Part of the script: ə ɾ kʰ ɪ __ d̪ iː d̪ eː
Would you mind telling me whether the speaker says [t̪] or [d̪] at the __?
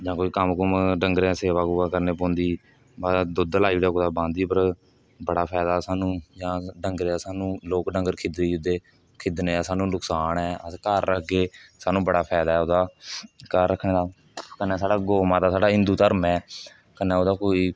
d̪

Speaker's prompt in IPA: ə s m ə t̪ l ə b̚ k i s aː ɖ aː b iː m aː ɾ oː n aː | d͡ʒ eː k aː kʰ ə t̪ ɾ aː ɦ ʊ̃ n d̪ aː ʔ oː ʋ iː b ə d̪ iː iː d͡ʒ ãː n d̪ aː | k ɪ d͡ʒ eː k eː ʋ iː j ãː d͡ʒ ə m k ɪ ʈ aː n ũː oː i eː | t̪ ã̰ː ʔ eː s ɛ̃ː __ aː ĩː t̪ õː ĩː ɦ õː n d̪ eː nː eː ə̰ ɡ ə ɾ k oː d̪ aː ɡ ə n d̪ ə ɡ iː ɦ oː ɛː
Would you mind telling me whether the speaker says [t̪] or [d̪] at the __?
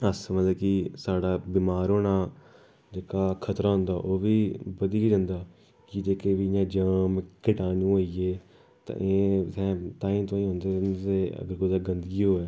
t̪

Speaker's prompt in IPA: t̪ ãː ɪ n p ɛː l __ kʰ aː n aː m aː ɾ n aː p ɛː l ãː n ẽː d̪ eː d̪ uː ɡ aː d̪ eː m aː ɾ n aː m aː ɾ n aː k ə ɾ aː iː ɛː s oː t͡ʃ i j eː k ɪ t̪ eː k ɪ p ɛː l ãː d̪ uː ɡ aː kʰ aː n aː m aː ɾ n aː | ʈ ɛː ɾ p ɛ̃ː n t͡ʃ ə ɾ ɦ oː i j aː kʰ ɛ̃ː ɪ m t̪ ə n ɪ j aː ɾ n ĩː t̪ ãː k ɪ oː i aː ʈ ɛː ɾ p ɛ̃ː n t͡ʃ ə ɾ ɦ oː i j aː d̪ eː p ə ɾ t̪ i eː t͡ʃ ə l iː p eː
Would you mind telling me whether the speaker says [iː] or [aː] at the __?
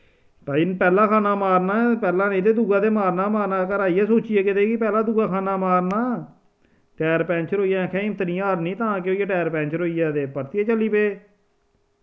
aː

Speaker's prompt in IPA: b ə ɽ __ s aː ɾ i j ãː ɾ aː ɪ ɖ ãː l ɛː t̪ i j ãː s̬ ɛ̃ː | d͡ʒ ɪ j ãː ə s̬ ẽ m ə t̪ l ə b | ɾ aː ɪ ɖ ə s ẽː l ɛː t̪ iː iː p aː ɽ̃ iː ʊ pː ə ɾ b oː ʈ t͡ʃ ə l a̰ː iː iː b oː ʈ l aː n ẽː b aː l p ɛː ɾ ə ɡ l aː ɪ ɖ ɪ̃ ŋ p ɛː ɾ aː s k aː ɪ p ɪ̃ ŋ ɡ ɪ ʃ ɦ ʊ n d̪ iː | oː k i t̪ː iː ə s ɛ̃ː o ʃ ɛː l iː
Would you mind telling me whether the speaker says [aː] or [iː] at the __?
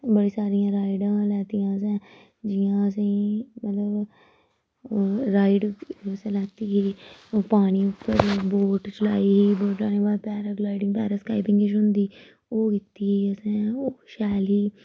iː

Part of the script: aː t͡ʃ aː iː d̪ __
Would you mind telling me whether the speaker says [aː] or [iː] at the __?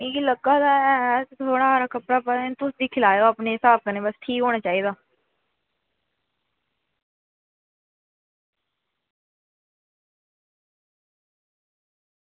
aː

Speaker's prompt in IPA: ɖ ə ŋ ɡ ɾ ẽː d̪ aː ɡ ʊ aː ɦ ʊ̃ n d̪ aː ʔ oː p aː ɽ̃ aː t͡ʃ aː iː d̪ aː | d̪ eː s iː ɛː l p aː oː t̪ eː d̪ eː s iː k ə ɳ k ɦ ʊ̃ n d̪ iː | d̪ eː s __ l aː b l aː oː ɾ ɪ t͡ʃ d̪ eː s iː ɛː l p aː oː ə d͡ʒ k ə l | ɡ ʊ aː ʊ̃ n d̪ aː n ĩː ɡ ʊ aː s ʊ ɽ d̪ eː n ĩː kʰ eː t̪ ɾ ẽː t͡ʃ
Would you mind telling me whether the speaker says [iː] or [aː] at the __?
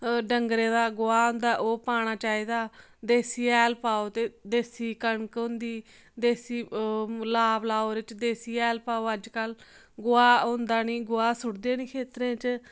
iː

